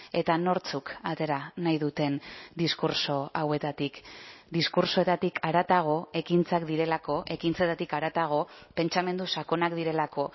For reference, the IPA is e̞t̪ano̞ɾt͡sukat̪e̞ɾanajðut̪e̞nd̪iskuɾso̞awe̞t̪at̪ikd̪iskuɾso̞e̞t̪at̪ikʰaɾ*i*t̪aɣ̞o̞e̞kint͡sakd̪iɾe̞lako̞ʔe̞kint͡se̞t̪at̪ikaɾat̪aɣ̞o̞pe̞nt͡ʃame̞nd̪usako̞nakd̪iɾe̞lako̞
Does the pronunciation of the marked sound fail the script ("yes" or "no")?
yes